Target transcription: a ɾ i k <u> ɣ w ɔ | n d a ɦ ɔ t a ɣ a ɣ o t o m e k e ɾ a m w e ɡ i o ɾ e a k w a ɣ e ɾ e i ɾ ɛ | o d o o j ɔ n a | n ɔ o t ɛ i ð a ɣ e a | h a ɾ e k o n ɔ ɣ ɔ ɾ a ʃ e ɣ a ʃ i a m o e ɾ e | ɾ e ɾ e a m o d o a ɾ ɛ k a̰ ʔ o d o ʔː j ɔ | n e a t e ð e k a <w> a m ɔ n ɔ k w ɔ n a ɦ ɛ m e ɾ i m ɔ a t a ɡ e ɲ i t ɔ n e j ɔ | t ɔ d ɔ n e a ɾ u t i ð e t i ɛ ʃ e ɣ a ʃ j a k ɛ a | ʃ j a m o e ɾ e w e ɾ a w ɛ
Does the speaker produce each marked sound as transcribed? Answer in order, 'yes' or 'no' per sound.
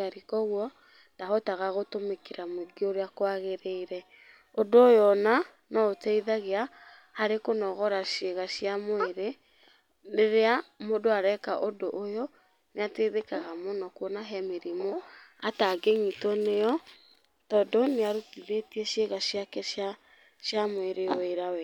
no, no

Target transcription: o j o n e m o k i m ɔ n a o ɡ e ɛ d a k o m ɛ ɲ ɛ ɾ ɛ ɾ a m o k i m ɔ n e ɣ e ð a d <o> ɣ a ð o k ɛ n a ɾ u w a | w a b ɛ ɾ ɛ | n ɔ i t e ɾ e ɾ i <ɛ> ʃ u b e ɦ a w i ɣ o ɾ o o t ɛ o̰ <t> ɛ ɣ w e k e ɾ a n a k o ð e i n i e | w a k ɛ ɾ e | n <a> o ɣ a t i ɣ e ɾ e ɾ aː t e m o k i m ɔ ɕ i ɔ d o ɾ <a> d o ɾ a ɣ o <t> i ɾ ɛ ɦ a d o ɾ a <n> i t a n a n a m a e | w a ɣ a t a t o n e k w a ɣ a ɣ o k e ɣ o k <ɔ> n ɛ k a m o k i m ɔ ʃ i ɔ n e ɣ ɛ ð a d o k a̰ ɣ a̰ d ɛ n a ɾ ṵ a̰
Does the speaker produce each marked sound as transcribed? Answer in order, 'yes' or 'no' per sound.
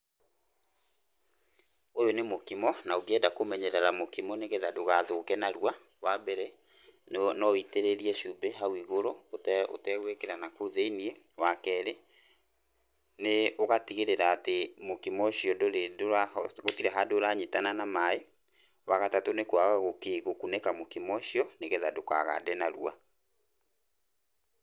yes, yes, yes, no, no, yes, no, no

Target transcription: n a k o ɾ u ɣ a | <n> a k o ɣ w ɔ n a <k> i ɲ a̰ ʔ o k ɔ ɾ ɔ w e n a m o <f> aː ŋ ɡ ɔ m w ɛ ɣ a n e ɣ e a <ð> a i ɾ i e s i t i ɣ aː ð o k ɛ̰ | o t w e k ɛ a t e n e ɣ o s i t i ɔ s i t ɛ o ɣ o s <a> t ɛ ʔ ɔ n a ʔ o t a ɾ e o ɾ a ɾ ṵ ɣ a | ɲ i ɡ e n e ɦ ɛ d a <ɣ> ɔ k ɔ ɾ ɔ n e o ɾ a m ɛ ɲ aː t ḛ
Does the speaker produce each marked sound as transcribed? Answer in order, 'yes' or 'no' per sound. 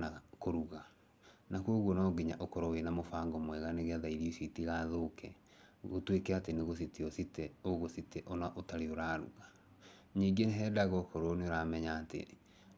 yes, no, yes, yes, no, yes

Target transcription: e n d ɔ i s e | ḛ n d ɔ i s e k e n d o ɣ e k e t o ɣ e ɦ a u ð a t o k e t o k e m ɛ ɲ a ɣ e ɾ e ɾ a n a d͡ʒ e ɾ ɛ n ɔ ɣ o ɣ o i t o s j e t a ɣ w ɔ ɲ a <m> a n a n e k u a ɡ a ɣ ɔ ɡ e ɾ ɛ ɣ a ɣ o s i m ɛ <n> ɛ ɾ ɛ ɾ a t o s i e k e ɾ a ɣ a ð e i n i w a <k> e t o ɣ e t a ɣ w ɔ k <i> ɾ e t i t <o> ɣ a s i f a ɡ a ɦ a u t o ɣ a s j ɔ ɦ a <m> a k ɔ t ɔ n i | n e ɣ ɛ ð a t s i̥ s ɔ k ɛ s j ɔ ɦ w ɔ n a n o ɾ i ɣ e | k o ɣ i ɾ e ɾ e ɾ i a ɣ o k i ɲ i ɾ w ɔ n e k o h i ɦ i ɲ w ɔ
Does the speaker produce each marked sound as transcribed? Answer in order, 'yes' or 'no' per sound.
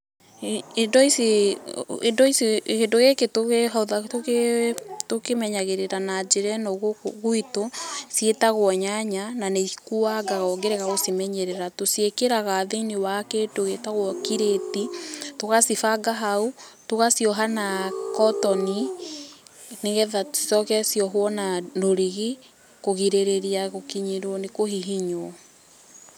no, no, yes, yes, yes, no

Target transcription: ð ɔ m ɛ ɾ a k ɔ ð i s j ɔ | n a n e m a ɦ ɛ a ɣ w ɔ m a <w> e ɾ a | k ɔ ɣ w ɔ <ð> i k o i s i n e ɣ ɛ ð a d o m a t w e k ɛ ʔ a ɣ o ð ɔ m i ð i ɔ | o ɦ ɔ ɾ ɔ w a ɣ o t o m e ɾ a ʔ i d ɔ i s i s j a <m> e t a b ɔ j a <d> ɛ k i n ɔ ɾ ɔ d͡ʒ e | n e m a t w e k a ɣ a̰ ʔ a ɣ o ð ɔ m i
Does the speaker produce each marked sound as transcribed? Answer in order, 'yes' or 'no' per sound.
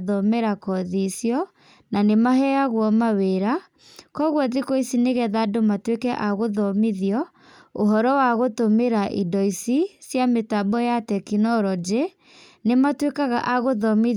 yes, yes, yes, no

